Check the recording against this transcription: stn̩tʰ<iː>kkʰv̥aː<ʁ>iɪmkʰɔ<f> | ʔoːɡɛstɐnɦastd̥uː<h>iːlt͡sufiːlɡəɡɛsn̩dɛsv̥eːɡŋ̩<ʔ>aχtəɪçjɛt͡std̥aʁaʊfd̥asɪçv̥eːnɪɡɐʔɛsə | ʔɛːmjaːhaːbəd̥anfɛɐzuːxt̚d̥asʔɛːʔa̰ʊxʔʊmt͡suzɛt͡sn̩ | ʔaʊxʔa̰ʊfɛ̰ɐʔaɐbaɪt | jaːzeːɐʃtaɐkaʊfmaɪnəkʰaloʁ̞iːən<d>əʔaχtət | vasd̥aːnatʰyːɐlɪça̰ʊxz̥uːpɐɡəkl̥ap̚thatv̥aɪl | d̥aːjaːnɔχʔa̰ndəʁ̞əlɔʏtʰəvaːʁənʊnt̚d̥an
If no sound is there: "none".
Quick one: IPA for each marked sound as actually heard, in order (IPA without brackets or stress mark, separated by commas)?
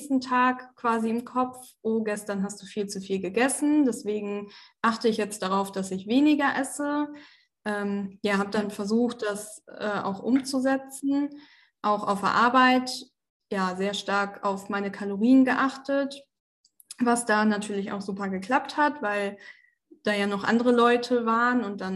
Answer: aː, z, p͡f, f, ʔ, ɡ